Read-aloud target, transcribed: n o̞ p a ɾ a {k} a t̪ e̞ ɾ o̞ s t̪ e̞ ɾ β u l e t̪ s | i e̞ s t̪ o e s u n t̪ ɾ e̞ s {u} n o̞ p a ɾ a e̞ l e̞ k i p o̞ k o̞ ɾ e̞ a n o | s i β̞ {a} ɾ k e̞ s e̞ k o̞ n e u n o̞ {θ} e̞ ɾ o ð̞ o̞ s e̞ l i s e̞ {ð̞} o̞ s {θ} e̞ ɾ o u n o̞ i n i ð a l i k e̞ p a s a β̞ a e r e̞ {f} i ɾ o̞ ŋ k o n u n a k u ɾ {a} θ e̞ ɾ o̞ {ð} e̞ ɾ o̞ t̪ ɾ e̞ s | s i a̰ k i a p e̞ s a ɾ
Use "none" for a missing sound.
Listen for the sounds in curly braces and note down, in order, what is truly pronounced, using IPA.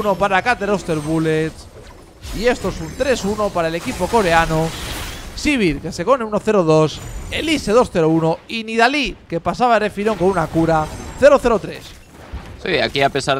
k, u, i, θ, ð̞, θ, f, a, θ

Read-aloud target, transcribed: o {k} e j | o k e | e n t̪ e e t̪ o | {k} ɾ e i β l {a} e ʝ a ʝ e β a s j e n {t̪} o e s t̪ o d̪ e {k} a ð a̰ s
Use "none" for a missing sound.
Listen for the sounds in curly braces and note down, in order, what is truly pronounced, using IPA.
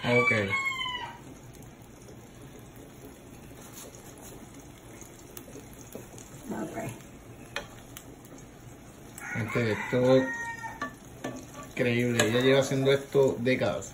k, k, e, d̪, k

